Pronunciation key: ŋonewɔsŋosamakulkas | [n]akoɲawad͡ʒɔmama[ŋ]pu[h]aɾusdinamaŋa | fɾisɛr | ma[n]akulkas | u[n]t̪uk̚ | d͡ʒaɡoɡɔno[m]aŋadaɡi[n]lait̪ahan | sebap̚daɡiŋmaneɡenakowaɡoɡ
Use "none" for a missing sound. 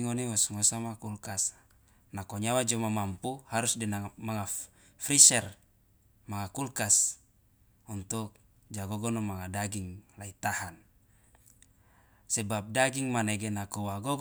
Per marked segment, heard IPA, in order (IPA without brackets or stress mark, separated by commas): n, m, h, ŋ, n, m, ŋ